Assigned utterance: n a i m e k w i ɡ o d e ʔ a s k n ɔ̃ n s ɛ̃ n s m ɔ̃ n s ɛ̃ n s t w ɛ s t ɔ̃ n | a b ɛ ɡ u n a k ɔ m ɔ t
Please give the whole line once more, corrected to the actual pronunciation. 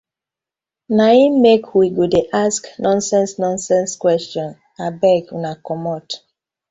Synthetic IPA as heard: n a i m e k w i ɡ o d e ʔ a s k n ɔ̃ n s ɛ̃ n s n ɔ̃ n s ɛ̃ n s k w ɛ s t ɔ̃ n | a b ɛ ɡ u n a k ɔ m ɔ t

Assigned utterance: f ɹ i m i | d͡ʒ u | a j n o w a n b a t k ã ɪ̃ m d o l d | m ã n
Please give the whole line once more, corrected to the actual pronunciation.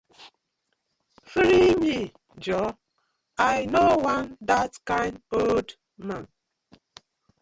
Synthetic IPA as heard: f ɾ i m i | d͡ʒ ɔ | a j n o w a n d a t k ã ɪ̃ n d o l d | m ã n

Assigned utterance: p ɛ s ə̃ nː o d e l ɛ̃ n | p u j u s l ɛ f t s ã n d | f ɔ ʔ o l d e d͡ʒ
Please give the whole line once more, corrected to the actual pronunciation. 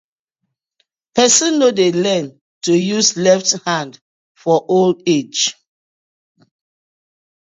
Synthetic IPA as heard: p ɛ s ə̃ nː o d e l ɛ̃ n | t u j u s l ɛ f t h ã n d | f ɔ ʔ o l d e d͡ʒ

